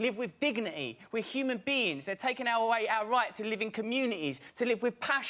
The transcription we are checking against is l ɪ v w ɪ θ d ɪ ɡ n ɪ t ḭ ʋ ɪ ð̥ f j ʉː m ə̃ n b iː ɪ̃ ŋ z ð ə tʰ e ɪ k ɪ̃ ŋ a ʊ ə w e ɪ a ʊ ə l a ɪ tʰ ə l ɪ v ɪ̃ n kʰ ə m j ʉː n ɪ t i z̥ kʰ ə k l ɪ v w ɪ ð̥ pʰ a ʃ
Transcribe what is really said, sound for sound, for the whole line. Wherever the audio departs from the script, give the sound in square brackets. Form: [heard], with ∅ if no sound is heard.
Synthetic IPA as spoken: l ɪ v w ɪ [ð] d ɪ ɡ n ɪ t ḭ [w] ɪ ð̥ [h] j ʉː m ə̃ n b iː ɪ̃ ŋ z ð ə tʰ e ɪ k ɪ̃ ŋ a ʊ ə w e ɪ a ʊ ə [ɹ] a ɪ tʰ ə l ɪ v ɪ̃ n kʰ ə m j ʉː n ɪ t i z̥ [tʰ] ə [∅] l ɪ v w ɪ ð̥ pʰ a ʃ